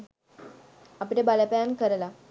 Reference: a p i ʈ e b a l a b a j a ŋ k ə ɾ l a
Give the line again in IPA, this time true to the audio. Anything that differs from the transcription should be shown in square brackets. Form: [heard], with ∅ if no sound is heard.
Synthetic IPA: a p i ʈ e b a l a [p] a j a [n] k ə ɾ l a